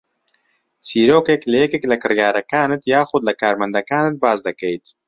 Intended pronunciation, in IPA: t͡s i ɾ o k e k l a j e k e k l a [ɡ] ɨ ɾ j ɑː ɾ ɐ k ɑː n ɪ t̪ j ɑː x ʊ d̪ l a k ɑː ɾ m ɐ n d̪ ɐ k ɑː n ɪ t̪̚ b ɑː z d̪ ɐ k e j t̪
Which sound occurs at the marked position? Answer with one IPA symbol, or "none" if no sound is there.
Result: k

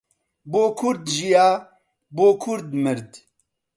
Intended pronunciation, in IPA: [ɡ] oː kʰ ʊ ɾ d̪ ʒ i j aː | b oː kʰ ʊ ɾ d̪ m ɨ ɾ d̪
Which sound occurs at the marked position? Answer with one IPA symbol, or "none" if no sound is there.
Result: b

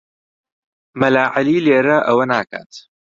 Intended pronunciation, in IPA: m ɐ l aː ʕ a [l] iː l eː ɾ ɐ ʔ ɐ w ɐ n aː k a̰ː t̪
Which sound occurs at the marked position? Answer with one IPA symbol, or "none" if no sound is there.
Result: l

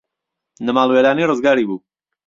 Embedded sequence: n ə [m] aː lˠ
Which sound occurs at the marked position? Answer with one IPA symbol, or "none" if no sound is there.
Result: m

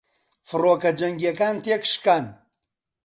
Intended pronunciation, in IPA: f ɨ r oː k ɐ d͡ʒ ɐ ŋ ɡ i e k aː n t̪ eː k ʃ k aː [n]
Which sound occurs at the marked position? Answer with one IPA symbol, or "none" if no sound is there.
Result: n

